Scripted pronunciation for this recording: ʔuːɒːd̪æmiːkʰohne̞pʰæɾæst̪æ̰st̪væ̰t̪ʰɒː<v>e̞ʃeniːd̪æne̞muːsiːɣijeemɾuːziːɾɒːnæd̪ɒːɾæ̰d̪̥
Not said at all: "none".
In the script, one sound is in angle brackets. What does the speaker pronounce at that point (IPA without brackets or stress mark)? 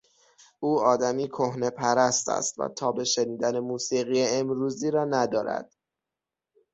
b